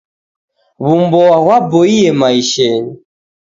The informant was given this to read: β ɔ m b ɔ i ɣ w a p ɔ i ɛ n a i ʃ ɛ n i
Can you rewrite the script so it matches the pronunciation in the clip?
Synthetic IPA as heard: β u m b ɔ a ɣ w a b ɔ i ɛ m a i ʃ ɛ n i